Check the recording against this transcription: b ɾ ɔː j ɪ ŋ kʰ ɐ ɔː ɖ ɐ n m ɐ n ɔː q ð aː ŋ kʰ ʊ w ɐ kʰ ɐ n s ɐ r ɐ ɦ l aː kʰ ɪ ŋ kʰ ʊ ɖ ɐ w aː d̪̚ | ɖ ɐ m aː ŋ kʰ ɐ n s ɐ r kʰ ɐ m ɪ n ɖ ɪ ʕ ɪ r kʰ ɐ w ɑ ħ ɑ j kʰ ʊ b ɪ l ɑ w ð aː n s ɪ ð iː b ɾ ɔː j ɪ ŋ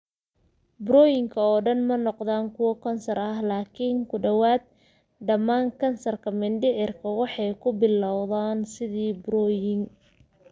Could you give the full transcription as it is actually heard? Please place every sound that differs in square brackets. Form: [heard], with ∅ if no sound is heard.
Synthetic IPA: b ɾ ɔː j ɪ ŋ kʰ ɐ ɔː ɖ ɐ n m ɐ n [ɔ] q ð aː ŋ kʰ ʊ w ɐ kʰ ɐ n s ɐ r ɐ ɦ l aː kʰ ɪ ŋ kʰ ʊ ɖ ɐ w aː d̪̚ | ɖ ɐ m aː ŋ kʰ ɐ n s ɐ r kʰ ɐ m ɪ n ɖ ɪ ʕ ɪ r kʰ ɐ w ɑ ħ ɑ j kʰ ʊ b ɪ l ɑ w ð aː n s ɪ ð iː b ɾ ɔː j ɪ ŋ